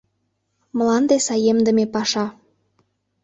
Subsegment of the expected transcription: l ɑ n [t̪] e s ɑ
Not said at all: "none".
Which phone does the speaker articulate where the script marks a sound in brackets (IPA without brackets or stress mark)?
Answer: d̪